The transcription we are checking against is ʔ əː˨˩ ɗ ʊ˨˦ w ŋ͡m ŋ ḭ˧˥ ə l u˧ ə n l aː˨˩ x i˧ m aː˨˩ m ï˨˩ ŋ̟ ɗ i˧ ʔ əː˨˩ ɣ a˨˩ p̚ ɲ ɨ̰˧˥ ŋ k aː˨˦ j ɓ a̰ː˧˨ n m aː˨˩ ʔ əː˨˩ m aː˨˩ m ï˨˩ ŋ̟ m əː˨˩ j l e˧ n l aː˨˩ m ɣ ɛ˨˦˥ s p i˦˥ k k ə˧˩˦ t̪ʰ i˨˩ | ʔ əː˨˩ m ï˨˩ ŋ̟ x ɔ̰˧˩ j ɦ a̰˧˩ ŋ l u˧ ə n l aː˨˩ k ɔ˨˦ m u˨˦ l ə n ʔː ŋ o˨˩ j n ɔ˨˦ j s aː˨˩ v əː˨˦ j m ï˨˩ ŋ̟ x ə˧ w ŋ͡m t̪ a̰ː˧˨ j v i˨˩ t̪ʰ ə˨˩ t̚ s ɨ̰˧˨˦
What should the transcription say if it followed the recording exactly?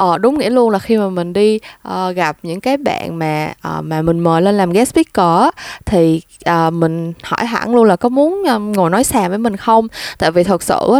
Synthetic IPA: ʔ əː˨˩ ɗ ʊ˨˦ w ŋ͡m ŋ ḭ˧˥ ə l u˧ ə n l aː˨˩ x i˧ m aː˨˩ m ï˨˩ ŋ̟ ɗ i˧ ʔ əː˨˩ ɣ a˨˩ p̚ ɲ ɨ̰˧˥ ŋ k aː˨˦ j ɓ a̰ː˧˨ n m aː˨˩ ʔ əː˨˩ m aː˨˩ m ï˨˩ ŋ̟ m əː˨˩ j l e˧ n l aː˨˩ m ɣ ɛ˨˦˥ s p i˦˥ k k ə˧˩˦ t̪ʰ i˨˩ | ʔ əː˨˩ m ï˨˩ ŋ̟ h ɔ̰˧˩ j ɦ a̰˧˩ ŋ l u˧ ə n l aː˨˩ k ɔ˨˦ m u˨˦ ə n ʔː ŋ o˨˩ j n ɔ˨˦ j s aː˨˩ v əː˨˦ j m ï˨˩ ŋ̟ x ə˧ w ŋ͡m t̪ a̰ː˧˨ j v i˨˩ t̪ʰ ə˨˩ t̚ s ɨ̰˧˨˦